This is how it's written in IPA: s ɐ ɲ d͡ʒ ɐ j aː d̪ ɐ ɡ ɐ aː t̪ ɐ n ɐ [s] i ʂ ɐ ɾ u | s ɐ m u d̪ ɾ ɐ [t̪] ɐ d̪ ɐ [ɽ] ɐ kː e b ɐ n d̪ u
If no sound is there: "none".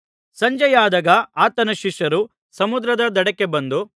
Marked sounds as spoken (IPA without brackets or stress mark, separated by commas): ʃ, d̪, ɽ